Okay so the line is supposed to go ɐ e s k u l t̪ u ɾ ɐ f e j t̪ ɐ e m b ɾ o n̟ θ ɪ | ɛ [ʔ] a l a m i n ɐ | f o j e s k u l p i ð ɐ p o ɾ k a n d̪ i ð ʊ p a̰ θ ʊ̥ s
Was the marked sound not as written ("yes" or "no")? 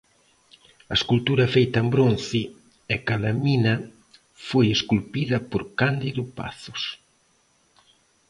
yes